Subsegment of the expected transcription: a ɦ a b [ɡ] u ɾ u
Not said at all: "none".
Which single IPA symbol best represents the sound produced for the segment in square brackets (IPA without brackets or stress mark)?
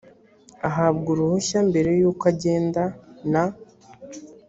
ɡ